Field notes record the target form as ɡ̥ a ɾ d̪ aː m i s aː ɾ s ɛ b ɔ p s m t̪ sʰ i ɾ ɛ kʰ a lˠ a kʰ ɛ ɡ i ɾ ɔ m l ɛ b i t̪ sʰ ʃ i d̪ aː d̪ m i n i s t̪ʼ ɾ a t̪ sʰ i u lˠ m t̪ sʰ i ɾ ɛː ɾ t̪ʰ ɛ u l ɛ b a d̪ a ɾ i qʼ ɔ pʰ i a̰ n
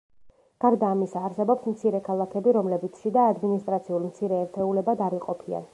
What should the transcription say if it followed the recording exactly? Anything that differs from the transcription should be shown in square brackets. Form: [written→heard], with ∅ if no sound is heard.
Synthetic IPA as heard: ɡ̥ a ɾ d̪ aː m i s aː ɾ s ɛ b ɔ p s m t̪ sʰ i ɾ ɛ kʰ a lˠ a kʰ ɛ [ɡ→b] i ɾ ɔ m l ɛ b i t̪ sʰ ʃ i d̪ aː d̪ m i n i s t̪ʼ ɾ a t̪ sʰ i u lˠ m t̪ sʰ i ɾ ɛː ɾ t̪ʰ ɛ u l ɛ b a d̪ a ɾ i qʼ ɔ pʰ i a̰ n